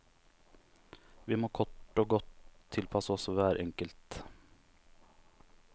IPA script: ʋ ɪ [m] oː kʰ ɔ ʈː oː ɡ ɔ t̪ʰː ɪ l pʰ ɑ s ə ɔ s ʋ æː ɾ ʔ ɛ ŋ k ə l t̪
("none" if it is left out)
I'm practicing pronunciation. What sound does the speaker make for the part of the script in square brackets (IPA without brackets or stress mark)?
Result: m